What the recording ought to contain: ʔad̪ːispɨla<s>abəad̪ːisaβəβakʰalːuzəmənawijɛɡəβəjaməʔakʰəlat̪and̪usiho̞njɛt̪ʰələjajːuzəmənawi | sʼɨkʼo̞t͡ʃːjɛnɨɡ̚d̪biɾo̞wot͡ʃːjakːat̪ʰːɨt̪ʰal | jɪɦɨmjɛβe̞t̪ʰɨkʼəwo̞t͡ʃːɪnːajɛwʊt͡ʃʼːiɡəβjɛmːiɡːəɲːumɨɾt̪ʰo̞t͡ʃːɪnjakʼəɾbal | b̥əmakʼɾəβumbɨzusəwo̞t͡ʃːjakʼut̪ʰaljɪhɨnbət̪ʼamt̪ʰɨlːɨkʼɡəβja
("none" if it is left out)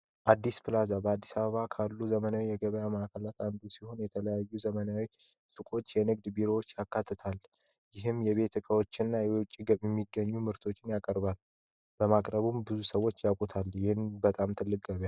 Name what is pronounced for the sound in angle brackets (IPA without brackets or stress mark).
z